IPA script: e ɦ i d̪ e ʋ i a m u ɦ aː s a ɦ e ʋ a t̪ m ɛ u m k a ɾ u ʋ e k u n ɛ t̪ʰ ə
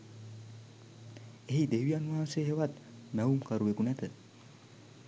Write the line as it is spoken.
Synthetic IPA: e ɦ i d̪ e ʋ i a n u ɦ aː s e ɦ e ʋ a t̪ m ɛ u m k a ɾ u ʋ e k u n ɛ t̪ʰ ə